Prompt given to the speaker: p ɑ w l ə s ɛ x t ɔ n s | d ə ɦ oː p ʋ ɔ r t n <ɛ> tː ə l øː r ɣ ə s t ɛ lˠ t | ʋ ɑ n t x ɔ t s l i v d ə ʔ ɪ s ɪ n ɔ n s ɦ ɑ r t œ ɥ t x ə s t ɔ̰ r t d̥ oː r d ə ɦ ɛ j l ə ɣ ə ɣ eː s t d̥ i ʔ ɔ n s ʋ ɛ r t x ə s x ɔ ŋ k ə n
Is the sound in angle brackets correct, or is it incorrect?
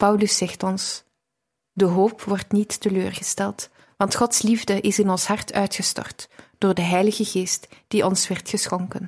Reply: incorrect